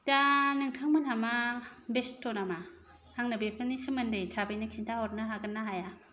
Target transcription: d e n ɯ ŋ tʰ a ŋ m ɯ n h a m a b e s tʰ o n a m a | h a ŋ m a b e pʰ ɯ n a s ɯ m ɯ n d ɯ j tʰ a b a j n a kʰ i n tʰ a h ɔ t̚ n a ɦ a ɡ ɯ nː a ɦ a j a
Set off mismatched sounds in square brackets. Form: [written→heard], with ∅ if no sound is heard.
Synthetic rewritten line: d [e→a] n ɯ ŋ tʰ a ŋ m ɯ n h a m a b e s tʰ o n a m a | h a ŋ [m→n] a b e pʰ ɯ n [a→i] s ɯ m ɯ n d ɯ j tʰ a b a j n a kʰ i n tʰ a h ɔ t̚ n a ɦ a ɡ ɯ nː a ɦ a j a